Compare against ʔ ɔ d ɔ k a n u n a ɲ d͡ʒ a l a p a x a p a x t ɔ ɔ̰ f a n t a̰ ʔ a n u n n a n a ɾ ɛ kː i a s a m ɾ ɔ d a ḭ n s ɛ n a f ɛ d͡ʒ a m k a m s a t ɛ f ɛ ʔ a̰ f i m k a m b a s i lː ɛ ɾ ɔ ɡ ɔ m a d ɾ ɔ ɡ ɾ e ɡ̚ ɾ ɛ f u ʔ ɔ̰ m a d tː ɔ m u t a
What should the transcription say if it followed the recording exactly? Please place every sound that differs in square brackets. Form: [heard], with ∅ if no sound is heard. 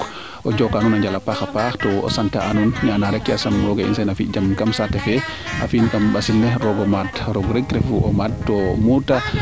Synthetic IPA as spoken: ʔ ɔ [d͡ʒ] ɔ k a n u n a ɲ d͡ʒ a l a p a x a p a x t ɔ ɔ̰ [s] a n t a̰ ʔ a n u n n a n a ɾ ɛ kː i a s a m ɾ ɔ [ɡ] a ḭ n s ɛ n a f [i] d͡ʒ a m k a m s a t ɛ f ɛ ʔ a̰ f i [n] k a m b a s i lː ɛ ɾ ɔ ɡ ɔ m a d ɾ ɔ ɡ ɾ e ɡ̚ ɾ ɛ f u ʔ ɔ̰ m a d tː ɔ m u t a